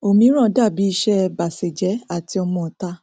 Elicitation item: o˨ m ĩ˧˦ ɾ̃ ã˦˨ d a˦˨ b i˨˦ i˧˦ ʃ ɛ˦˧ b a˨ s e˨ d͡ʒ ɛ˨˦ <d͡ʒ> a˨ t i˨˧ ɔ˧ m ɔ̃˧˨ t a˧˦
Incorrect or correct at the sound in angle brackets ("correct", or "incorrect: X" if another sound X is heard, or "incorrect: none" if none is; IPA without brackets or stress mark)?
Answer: incorrect: none